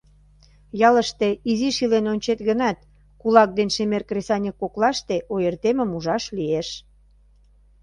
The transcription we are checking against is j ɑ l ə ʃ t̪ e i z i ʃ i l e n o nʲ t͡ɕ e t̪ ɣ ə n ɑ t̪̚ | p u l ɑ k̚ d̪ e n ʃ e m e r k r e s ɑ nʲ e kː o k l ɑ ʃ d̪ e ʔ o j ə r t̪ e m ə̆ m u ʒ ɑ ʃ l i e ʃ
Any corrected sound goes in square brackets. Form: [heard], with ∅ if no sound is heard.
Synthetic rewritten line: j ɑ l ə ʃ t̪ e i z i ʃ i l e n o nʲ t͡ɕ e t̪ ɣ ə n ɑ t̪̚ | [k] u l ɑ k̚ d̪ e n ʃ e m e r k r e s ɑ nʲ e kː o k l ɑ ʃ [t̪] e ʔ o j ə r t̪ e m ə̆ m u ʒ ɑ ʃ l i e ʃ